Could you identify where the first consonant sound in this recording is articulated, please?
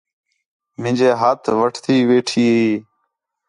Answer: labial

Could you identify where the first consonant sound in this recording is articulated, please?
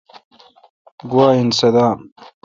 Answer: velar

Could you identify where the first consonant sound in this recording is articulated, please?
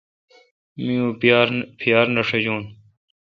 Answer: labial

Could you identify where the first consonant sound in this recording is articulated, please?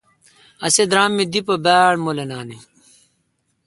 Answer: alveolar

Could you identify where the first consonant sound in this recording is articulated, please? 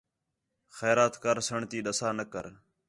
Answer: velar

